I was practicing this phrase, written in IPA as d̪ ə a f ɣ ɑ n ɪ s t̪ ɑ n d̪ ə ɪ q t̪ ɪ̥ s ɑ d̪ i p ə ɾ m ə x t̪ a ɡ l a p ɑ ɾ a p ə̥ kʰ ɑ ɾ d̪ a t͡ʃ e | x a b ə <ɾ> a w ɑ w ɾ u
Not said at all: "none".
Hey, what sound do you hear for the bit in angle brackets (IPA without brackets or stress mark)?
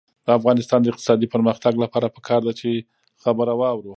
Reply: ɾ